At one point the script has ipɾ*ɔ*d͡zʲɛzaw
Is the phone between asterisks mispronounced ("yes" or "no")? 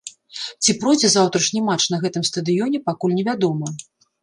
no